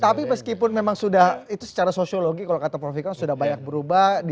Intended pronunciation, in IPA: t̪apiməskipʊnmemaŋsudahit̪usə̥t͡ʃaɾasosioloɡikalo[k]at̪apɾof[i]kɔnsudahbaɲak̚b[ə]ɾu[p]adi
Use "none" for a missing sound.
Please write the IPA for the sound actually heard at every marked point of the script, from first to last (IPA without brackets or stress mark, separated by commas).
k, i, ə, b